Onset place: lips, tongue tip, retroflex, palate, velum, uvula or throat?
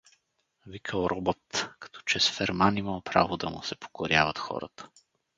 lips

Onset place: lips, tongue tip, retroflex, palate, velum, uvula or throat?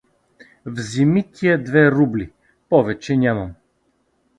lips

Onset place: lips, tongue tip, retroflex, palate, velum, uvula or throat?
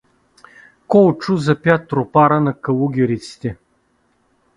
velum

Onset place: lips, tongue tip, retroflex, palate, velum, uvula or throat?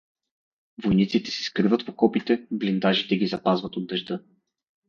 lips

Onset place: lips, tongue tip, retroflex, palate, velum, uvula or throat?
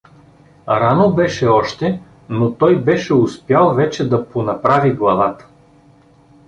tongue tip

